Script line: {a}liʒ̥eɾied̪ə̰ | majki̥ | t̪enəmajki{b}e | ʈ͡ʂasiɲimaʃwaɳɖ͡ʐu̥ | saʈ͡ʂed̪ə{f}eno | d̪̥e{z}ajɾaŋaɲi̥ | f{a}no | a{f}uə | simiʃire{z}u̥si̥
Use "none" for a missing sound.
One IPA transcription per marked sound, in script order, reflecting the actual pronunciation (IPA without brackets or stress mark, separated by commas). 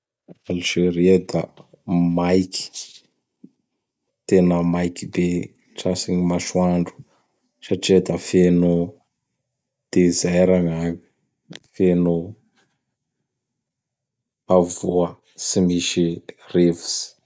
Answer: a, b, f, z, e, v, v